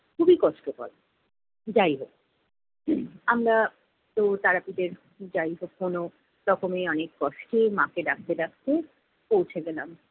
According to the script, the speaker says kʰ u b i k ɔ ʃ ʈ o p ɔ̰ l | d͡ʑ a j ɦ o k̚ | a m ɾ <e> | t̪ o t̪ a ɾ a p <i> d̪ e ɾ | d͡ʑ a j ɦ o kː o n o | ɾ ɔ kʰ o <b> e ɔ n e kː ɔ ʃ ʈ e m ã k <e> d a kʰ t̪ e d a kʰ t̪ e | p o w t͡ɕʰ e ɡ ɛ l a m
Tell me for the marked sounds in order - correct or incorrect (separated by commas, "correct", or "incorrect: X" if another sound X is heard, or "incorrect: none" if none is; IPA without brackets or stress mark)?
incorrect: a, correct, incorrect: m, correct